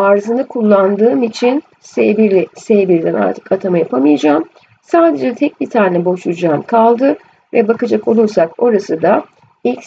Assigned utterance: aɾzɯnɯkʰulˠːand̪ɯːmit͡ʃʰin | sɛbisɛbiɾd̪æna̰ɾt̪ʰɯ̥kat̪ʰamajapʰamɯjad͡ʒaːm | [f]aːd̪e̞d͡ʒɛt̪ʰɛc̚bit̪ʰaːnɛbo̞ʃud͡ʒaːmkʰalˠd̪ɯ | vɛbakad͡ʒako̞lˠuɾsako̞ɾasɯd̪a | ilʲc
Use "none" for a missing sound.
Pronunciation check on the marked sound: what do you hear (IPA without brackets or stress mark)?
s